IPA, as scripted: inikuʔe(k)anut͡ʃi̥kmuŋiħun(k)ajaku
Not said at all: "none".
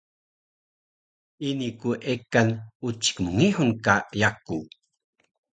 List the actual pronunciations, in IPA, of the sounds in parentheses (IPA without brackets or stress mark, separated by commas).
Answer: k, k